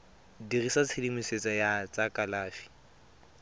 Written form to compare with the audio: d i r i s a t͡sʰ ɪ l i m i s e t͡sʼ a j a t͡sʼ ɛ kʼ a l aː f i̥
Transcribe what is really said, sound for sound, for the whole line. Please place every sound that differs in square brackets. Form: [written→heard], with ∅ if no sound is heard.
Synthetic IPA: d i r i s a t͡sʰ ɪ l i m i s e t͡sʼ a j a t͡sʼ [ɛ→a] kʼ a l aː f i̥

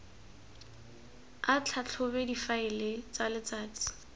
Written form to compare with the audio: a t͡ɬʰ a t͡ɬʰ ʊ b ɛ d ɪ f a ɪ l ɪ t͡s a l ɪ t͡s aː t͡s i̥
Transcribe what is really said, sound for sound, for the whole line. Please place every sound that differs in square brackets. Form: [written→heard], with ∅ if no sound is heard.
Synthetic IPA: a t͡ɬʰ a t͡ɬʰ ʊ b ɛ d [ɪ→i] f a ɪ l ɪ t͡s a l ɪ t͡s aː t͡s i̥

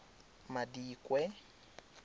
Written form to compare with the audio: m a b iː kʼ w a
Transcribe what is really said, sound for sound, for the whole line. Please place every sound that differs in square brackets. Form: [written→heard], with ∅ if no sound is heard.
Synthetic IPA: m a [b→d] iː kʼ w [a→ɛ]

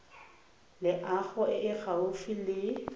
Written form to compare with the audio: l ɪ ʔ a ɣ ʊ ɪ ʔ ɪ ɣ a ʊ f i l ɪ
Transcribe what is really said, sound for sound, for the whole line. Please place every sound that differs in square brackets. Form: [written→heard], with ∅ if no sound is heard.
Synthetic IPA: l ɪ ʔ a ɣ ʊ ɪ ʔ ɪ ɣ a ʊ f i l ɪ

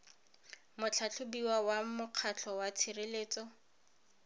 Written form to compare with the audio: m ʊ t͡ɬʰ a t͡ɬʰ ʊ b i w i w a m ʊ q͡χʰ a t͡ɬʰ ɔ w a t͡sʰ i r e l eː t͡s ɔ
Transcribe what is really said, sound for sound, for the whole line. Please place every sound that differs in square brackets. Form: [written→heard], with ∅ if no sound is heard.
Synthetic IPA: m ʊ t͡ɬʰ a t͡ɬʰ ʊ b i w [i→a] w a m ʊ q͡χʰ a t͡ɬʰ ɔ w a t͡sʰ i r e l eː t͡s ɔ

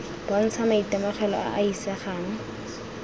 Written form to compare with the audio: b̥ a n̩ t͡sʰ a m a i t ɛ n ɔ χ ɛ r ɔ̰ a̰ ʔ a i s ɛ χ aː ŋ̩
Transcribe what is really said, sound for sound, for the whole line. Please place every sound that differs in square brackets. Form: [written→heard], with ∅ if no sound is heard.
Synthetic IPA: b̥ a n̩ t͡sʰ a m a i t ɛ [n→m] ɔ χ ɛ [r→l] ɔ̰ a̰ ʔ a i s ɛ χ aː ŋ̩

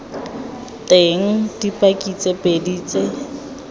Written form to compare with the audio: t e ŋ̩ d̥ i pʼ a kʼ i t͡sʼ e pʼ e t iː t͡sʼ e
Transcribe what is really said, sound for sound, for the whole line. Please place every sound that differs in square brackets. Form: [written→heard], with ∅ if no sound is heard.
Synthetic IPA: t e ŋ̩ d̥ i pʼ a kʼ i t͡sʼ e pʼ e [t→d] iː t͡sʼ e

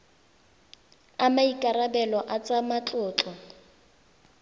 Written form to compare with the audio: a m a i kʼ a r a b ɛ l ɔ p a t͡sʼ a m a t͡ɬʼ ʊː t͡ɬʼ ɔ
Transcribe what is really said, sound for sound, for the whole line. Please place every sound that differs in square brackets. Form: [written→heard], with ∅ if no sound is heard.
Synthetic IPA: a m a i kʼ a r a b ɛ l ɔ [p→ʔ] a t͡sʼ a m a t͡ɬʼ ʊː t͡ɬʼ ɔ

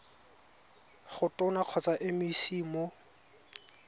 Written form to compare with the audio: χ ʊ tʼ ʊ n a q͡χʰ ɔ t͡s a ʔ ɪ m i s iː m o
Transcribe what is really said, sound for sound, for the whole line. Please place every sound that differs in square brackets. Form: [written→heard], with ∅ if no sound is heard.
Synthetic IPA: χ ʊ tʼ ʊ n a q͡χʰ ɔ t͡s a ʔ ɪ m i s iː m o

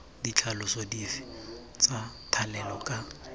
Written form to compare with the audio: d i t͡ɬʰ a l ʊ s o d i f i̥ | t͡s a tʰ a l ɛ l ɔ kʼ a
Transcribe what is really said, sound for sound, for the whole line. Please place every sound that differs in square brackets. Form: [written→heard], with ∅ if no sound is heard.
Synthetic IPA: d i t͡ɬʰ a l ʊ s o d i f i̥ | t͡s a tʰ a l ɛ l ɔ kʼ a

